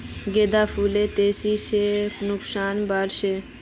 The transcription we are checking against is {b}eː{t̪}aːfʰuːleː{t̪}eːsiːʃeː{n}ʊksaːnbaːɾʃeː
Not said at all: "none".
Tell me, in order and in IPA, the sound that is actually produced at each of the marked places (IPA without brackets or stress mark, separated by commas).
ɡ, d̪, t̪, n